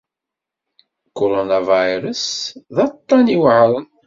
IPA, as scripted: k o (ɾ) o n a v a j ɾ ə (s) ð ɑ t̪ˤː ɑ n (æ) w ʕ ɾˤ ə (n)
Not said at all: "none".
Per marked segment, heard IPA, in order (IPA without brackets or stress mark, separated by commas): ɾ, s, i, n